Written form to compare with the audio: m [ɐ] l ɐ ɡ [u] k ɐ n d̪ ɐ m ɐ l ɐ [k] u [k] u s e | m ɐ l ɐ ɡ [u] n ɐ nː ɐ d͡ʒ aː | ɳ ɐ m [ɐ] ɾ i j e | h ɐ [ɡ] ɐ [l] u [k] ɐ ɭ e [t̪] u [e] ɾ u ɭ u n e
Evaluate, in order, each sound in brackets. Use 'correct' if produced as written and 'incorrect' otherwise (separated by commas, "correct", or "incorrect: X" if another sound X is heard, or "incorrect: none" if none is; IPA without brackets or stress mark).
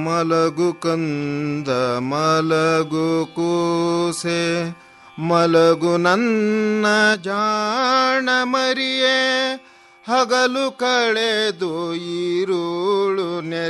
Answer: correct, correct, incorrect: ɡ, correct, correct, correct, correct, correct, correct, incorrect: d̪, incorrect: i